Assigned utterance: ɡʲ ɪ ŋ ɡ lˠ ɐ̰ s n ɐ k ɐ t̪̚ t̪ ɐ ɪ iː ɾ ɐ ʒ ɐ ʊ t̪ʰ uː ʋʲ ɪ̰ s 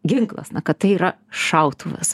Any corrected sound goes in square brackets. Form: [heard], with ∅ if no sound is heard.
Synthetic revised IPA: ɡʲ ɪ ŋ [k] lˠ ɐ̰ s n ɐ k ɐ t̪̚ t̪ ɐ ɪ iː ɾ ɐ [ʃ] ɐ ʊ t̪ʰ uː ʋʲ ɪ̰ s